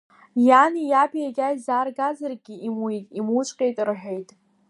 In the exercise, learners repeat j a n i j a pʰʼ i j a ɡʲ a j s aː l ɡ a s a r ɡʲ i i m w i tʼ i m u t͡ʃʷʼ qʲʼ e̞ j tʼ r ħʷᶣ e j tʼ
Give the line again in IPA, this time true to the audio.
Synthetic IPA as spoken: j a n i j a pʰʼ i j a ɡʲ a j z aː r ɡ a z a r ɡʲ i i m w i tʼ i m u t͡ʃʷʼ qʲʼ e̞ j tʼ r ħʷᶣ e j tʼ